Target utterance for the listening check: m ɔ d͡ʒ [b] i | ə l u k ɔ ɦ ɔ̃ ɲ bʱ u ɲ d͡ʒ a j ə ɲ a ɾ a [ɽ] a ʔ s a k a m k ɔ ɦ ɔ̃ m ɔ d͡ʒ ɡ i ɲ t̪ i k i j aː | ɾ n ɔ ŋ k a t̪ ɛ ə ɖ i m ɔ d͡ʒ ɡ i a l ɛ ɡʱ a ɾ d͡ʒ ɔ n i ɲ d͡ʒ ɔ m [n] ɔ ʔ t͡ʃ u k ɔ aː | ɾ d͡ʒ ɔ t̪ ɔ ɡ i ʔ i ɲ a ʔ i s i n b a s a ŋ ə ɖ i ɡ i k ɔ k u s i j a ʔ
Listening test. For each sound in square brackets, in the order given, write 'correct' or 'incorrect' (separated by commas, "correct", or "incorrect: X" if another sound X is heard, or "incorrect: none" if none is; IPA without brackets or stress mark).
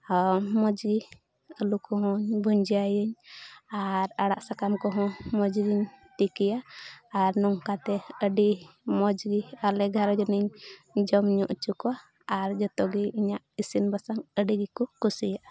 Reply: incorrect: ɡ, correct, incorrect: ɲ